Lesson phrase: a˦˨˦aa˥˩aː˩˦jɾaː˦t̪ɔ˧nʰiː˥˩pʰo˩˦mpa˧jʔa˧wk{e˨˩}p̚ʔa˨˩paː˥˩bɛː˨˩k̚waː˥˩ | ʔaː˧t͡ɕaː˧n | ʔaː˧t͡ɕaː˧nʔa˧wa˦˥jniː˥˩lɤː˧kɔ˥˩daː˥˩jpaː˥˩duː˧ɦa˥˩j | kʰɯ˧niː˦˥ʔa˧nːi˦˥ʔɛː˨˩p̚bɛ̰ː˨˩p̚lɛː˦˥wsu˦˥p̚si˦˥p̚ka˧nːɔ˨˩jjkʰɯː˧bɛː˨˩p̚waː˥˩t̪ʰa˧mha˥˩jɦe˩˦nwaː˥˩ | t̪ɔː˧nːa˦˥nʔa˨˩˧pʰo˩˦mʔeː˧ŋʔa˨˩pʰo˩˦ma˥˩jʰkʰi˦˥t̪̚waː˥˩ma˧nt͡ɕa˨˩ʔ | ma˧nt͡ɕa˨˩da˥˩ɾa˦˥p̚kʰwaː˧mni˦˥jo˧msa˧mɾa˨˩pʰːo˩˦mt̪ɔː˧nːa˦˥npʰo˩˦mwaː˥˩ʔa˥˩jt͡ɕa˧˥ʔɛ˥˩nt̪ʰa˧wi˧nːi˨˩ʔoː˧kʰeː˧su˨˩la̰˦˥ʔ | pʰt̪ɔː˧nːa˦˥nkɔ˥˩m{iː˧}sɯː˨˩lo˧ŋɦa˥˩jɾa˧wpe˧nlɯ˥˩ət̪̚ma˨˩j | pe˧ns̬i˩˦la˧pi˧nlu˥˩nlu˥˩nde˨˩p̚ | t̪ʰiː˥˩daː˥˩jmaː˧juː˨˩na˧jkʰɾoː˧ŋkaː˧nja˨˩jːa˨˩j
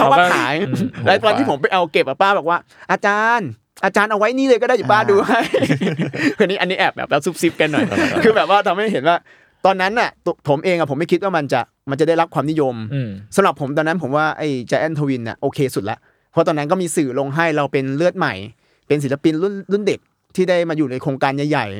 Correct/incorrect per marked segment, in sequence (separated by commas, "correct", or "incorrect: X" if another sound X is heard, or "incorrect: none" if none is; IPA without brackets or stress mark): correct, correct